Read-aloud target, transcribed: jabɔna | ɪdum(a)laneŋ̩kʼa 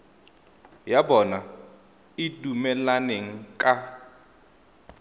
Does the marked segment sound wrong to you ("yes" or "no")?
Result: yes